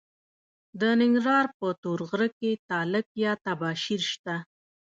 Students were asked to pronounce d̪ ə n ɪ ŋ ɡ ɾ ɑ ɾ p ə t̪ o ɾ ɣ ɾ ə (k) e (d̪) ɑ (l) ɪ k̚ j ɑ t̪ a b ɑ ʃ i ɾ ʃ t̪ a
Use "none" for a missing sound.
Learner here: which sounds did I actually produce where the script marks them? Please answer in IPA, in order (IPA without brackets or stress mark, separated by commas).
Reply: k, t̪, l